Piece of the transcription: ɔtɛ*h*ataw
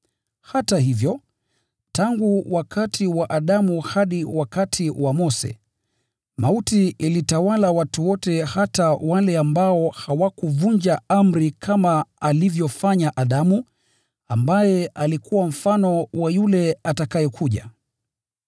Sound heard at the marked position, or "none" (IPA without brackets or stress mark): h